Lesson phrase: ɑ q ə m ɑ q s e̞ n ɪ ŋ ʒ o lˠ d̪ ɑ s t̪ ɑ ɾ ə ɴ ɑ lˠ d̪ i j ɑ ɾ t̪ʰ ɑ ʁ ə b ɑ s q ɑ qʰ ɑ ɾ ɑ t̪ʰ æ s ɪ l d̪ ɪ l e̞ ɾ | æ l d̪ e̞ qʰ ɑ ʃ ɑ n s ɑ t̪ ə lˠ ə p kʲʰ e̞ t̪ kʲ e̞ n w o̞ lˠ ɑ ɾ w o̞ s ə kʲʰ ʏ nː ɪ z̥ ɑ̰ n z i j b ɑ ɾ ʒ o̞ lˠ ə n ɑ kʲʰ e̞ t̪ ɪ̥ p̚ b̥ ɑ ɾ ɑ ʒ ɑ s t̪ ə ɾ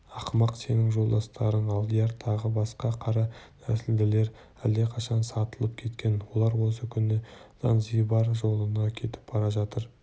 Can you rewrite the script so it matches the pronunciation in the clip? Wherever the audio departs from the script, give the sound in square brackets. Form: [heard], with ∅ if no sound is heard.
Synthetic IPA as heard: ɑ q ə m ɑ q s e̞ n ɪ ŋ ʒ o lˠ d̪ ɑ s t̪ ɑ ɾ ə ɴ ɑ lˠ d̪ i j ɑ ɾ t̪ʰ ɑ ʁ ə b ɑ s q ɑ qʰ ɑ ɾ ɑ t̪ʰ æ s ɪ l d̪ ɪ l e̞ ɾ | æ l d̪ e̞ qʰ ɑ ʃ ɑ n s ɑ t̪ ə lˠ ə p kʲʰ e̞ t̪ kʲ e̞ n w o̞ lˠ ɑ ɾ w o̞ s ə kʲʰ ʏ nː ɪ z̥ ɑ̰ n z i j b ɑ ɾ ʒ o̞ lˠ ə n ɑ kʲʰ e̞ t̪ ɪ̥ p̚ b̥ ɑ ɾ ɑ ʒ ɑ [∅] t̪ ə ɾ

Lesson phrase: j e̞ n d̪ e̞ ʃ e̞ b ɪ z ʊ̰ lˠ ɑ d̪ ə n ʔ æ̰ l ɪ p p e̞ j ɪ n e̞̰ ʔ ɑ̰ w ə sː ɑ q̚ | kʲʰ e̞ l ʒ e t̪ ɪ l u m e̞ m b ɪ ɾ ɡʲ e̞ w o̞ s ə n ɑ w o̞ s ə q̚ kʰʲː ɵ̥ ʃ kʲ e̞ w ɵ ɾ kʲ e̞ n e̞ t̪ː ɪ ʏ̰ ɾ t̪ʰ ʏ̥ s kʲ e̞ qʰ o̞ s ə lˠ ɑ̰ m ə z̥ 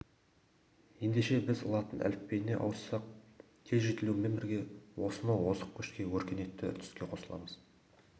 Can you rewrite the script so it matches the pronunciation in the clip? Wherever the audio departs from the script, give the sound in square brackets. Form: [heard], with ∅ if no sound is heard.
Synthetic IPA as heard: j e̞ n d̪ e̞ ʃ e̞ b ɪ z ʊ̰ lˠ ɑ [t̪] ə n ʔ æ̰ l ɪ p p e̞ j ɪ n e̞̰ ʔ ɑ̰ w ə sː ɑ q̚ | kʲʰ e̞ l ʒ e t̪ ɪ l u m e̞ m b ɪ ɾ ɡʲ e̞ w o̞ s ə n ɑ w o̞ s ə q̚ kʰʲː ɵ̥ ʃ kʲ e̞ w ɵ ɾ kʲ e̞ n e̞ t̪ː ɪ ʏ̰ ɾ t̪ʰ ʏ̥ s kʲ e̞ qʰ o̞ s ə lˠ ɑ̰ m ə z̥

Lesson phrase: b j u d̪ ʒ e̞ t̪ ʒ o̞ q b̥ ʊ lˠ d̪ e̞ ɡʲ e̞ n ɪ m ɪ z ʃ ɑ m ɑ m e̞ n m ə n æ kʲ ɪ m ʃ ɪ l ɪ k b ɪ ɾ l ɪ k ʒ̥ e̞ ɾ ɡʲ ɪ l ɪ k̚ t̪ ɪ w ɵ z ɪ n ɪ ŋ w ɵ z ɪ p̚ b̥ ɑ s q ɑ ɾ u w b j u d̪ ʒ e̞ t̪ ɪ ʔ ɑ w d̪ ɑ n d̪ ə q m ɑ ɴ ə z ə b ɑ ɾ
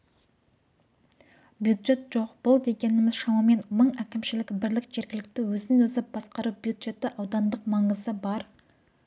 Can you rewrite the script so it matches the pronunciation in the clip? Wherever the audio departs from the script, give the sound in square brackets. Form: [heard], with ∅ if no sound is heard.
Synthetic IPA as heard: b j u d̪ ʒ e̞ t̪ ʒ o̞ q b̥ ʊ lˠ d̪ e̞ ɡʲ e̞ n ɪ m ɪ z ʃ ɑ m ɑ m e̞ n m ə [ɴ] æ kʲ ɪ m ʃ ɪ l ɪ k b ɪ ɾ l ɪ k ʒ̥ e̞ ɾ ɡʲ ɪ l ɪ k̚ t̪ ɪ w ɵ z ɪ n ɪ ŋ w ɵ z ɪ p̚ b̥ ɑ s q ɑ ɾ u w b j u d̪ ʒ e̞ t̪ ɪ ʔ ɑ w d̪ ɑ n d̪ ə q m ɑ ɴ ə z ə b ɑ ɾ

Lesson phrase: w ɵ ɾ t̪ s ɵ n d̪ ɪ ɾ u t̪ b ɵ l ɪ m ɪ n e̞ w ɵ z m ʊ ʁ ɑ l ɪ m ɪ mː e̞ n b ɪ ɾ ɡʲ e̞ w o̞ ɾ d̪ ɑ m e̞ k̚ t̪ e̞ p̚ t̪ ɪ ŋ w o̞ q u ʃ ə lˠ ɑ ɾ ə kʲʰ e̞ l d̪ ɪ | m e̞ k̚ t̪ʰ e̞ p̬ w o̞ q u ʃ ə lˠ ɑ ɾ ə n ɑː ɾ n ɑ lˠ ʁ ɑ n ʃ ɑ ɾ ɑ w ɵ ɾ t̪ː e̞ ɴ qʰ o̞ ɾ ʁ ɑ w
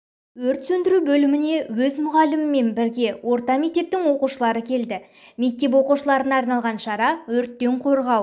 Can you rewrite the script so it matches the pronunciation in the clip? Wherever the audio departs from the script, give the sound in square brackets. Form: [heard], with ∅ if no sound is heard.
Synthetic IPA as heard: w ɵ ɾ t̪ s ɵ n d̪ ɪ ɾ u [∅] b ɵ l ɪ m ɪ n e̞ w ɵ z m ʊ ʁ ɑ l ɪ m ɪ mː e̞ n b ɪ ɾ ɡʲ e̞ w o̞ ɾ [t̪] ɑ m e̞ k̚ t̪ e̞ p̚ t̪ ɪ ŋ w o̞ q u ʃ ə lˠ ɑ ɾ ə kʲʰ e̞ l d̪ ɪ | m e̞ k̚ [t̪] e̞ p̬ w o̞ q u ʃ ə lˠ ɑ ɾ ə n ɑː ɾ n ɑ lˠ ʁ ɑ n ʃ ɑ ɾ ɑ w ɵ ɾ t̪ː e̞ ɴ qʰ o̞ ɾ ʁ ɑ w

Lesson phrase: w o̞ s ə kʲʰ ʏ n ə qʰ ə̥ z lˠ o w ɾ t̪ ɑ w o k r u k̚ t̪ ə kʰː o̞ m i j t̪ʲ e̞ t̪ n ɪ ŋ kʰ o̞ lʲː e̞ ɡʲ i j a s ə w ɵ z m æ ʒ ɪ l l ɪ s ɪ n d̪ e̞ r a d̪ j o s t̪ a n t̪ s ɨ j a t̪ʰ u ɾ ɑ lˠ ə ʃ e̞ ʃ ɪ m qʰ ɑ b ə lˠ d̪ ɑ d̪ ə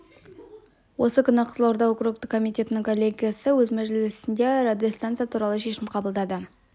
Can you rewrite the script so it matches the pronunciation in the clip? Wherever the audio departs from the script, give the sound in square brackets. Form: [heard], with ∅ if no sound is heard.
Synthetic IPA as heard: w o̞ s ə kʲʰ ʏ n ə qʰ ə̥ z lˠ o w ɾ [d̪] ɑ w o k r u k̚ t̪ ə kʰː o̞ m i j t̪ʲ e̞ t̪ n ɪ ŋ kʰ o̞ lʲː e̞ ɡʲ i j a s ə w ɵ z m æ ʒ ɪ l l ɪ s ɪ n d̪ e̞ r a d̪ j o s t̪ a n t̪ s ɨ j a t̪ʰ u ɾ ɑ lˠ ə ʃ e̞ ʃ ɪ m qʰ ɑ b ə lˠ d̪ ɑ d̪ ə

